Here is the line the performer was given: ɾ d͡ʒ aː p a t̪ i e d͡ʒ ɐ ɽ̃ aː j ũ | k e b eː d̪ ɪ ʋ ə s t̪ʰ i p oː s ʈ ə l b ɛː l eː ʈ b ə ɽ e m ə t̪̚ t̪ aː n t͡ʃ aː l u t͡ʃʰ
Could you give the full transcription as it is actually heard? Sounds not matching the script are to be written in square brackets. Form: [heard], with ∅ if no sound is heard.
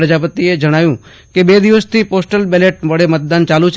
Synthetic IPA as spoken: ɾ d͡ʒ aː p [ə] t̪ i e d͡ʒ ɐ ɽ̃ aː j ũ | k e b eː d̪ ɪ ʋ ə s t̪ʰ i p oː s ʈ ə l b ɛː l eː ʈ b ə ɽ e m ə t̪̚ [d̪] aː n t͡ʃ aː l u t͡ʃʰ